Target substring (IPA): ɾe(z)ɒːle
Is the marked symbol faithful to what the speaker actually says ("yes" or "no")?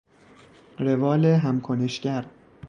no